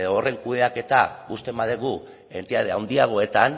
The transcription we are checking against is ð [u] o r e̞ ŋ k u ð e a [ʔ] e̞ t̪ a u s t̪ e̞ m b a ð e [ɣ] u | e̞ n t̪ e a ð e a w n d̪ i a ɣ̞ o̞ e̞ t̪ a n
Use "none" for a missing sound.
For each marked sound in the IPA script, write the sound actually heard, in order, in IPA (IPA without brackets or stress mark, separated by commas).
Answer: o, k, ɣ